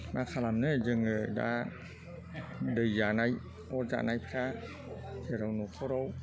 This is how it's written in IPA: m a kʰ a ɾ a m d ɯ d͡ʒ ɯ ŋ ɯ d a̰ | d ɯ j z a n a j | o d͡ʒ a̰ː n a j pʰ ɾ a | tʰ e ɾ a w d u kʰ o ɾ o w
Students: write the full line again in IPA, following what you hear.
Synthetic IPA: m a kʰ a l a m n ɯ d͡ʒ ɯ ŋ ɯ d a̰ | d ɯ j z a n a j | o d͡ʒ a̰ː n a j pʰ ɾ a | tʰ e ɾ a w n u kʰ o ɾ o w